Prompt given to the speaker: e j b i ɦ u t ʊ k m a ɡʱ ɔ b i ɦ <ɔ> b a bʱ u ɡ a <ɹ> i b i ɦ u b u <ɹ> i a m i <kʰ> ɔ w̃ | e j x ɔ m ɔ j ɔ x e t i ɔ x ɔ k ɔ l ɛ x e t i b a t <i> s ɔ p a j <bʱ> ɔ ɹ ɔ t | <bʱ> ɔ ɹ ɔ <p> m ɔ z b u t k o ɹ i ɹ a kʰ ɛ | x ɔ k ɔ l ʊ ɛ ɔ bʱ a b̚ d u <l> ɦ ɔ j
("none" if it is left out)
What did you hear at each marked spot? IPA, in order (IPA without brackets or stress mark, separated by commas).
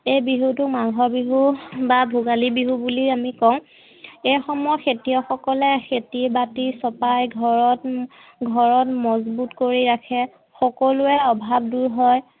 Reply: u, l, l, k, i, ɡʱ, ɡʱ, t, ɹ